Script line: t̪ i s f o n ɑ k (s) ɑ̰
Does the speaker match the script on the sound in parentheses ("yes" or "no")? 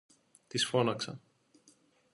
yes